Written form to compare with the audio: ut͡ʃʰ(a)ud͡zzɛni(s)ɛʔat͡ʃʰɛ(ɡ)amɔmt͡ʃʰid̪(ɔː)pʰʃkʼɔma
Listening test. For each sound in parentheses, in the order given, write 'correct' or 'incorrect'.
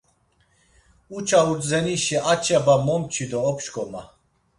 correct, incorrect, incorrect, correct

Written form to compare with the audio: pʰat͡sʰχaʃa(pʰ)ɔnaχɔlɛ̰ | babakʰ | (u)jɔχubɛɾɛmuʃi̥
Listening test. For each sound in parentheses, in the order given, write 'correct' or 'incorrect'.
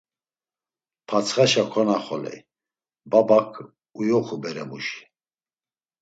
incorrect, correct

